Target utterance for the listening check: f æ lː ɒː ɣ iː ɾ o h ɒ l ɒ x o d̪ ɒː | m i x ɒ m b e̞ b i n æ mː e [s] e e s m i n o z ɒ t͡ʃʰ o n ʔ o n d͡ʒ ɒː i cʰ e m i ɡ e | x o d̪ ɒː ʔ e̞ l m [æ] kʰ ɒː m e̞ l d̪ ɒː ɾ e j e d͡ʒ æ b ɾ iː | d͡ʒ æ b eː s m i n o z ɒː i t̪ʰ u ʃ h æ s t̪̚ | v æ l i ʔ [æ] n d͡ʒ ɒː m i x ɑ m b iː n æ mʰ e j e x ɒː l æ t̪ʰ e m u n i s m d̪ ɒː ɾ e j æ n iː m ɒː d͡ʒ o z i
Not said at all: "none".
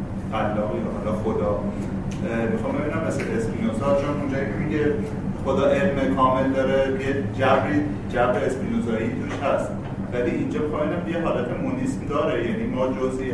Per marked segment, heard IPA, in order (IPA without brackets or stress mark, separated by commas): s, e, i